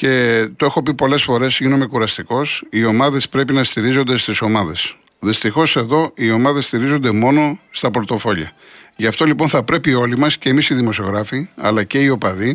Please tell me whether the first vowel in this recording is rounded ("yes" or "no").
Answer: no